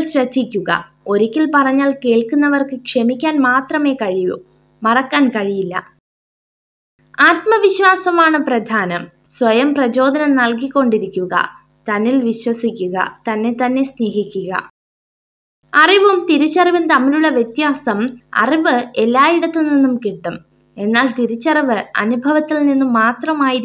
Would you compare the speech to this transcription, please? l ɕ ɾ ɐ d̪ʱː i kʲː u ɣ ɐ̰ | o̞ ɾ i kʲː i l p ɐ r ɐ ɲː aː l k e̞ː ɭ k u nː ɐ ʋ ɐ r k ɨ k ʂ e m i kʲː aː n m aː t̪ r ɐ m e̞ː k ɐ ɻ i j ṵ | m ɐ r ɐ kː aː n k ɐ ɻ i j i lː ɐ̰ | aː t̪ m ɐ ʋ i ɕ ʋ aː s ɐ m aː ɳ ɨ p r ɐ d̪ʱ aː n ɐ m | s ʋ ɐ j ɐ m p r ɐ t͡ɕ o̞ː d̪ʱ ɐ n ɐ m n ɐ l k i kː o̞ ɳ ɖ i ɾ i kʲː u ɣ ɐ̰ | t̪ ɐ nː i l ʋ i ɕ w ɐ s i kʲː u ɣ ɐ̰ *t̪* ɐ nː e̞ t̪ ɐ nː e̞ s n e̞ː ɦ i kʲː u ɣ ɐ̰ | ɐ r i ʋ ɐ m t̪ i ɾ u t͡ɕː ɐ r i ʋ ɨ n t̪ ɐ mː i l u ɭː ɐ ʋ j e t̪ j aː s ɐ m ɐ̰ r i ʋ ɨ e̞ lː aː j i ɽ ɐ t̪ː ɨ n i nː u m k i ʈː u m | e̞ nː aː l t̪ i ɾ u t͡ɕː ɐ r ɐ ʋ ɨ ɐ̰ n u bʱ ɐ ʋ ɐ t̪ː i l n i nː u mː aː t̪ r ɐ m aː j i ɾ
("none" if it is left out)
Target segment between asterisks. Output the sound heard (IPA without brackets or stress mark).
t̪